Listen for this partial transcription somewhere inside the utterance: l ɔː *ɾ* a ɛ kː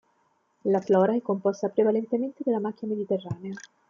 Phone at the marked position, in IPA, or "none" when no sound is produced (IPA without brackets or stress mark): ɾ